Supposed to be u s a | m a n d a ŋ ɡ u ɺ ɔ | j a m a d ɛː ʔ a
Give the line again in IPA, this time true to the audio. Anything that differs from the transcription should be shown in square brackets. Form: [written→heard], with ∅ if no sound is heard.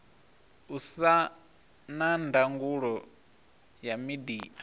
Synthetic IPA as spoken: u s a | [m→n] a n d a ŋ ɡ u ɺ ɔ | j a m [a→i] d [ɛː→iː] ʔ a